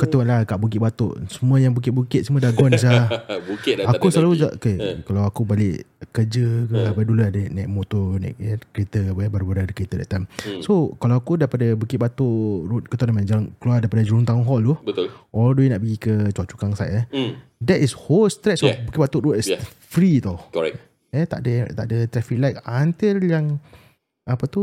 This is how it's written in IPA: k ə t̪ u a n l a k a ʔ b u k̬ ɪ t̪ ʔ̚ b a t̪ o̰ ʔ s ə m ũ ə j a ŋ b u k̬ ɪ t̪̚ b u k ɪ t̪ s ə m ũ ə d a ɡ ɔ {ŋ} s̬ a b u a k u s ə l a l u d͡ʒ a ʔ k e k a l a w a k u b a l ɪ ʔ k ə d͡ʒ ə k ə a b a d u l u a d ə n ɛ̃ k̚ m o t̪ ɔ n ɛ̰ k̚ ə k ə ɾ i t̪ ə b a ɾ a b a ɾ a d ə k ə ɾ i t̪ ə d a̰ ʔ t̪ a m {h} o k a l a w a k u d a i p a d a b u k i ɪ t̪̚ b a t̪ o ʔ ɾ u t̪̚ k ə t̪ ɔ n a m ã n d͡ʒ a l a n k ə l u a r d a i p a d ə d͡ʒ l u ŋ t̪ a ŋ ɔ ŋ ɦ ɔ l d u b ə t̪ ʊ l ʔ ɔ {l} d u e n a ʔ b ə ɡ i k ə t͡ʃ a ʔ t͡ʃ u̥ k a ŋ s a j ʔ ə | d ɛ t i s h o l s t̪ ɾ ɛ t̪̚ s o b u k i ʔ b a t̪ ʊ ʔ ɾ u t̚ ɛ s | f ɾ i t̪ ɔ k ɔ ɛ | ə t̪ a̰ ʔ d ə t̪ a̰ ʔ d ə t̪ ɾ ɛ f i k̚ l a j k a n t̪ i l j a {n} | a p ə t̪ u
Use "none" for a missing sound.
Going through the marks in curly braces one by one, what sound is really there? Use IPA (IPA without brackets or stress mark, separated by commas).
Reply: n, s, l, ŋ